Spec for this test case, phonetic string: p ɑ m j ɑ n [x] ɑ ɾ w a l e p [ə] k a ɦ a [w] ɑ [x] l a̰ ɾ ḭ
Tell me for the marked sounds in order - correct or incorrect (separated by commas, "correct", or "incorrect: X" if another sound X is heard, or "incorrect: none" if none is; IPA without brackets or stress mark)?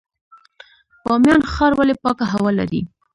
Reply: correct, incorrect: ɑ, correct, incorrect: none